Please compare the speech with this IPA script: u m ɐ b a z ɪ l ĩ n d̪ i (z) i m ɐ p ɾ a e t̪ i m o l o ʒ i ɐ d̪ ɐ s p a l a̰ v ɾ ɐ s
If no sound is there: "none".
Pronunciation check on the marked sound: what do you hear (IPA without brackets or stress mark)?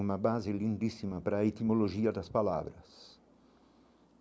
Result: s